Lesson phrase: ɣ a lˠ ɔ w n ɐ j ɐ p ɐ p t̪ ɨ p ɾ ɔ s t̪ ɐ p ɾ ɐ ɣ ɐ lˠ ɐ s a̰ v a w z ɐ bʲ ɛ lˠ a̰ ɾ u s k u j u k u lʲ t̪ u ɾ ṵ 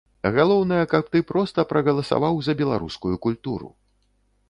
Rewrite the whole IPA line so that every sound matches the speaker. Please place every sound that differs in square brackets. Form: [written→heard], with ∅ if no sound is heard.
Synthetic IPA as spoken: ɣ a lˠ ɔ w n ɐ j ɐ [p→k] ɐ p t̪ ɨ p ɾ ɔ s t̪ ɐ p ɾ ɐ ɣ ɐ lˠ ɐ s a̰ v a w z ɐ bʲ ɛ lˠ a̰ ɾ u s k u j u k u lʲ t̪ u ɾ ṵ